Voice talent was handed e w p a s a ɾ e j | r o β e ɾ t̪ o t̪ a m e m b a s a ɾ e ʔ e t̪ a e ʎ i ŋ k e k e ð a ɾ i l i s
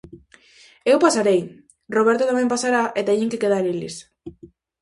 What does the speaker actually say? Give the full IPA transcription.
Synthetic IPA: e w p a s a ɾ e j | r o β e ɾ t̪ o t̪ a m e m p a s a ɾ a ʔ e t̪ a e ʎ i ŋ k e k e ð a ɾ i l i s